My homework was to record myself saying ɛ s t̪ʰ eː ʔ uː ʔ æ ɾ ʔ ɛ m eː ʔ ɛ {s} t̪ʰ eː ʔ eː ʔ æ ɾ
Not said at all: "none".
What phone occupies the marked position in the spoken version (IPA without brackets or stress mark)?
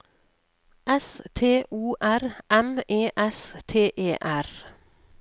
s